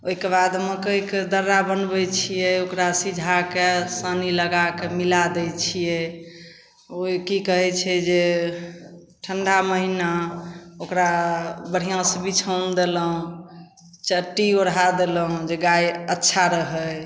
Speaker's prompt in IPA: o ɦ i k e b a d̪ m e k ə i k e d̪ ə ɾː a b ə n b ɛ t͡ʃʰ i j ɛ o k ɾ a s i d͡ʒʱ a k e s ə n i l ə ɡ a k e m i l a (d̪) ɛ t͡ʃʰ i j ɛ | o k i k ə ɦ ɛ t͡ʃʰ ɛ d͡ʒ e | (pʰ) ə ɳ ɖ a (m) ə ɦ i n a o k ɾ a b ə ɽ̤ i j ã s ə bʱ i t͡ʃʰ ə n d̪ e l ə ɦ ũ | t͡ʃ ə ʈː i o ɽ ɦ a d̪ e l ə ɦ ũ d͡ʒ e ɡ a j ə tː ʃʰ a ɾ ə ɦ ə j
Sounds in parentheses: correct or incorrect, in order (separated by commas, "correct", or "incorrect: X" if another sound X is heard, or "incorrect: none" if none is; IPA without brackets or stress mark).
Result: correct, incorrect: ʈʰ, correct